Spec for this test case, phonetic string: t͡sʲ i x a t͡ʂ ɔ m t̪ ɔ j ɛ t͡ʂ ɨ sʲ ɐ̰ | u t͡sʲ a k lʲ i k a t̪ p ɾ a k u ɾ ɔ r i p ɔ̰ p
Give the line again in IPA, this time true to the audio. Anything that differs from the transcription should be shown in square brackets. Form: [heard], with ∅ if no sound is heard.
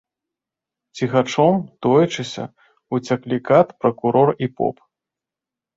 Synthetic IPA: t͡sʲ i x a t͡ʂ ɔ m t̪ ɔ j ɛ t͡ʂ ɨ sʲ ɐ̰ | u t͡sʲ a k lʲ i k a t̪ p ɾ [ɐ] k u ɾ ɔ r i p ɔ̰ p